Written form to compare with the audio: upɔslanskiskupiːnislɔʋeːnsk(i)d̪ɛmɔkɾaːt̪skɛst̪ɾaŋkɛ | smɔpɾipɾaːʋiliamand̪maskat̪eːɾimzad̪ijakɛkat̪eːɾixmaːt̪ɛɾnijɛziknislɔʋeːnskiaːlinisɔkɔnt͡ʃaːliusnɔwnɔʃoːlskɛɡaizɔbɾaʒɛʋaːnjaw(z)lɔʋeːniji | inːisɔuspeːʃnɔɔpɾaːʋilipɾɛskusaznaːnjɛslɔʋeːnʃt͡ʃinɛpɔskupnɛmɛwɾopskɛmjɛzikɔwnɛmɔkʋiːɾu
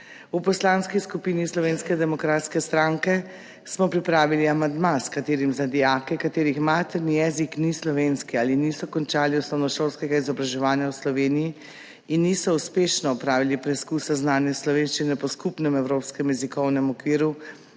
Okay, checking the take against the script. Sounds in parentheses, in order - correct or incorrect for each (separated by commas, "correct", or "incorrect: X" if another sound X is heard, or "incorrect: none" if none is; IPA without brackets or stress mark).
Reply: incorrect: ɛ, incorrect: s